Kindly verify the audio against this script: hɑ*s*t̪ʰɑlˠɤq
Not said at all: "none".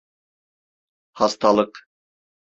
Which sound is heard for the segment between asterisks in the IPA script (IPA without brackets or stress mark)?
s